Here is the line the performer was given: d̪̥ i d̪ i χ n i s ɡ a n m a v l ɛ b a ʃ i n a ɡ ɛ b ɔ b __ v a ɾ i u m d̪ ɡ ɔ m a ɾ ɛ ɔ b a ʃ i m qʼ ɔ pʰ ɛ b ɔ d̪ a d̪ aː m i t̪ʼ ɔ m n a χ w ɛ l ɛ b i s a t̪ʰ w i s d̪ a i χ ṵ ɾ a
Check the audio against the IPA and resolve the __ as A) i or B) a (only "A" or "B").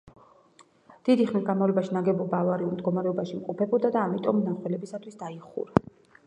B